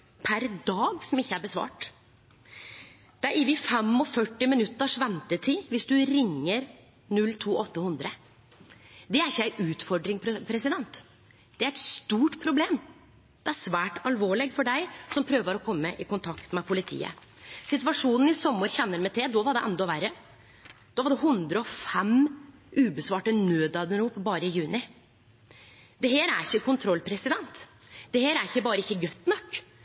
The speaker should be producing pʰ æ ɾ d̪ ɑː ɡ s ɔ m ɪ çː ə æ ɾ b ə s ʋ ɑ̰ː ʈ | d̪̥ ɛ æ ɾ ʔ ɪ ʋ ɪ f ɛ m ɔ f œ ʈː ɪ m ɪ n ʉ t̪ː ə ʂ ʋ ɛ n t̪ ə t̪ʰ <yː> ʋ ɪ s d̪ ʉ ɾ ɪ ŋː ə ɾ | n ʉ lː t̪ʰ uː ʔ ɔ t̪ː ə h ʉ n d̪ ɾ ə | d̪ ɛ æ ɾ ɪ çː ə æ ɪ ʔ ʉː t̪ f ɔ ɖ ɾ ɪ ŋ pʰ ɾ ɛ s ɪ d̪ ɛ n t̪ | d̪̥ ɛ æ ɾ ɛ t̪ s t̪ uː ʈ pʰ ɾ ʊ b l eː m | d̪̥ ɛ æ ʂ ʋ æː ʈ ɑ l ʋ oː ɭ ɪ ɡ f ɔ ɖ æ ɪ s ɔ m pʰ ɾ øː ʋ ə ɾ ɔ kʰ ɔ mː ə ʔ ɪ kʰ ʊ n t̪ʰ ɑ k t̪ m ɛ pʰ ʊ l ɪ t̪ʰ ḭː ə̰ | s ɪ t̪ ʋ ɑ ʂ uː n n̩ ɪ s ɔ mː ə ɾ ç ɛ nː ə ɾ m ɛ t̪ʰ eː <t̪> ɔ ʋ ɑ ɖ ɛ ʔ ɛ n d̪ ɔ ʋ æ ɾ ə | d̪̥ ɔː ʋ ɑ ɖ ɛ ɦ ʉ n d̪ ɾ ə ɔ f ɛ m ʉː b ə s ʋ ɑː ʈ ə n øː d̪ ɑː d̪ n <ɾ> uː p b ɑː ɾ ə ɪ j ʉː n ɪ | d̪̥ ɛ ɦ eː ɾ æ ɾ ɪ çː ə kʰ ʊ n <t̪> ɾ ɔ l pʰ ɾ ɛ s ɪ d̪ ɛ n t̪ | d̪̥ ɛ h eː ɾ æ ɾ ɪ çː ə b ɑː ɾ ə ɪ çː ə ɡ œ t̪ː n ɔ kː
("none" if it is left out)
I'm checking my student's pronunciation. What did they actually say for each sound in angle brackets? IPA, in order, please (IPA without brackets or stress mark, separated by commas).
iː, d̪, ɾ, t̪ʰ